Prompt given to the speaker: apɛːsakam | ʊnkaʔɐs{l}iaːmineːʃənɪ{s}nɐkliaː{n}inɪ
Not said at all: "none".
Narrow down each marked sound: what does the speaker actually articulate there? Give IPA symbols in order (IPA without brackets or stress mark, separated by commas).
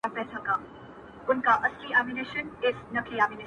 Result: l, s, m